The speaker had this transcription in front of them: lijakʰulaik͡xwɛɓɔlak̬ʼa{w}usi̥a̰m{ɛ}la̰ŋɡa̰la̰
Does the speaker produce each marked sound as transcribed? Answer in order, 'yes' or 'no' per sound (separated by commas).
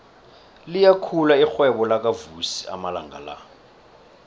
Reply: no, no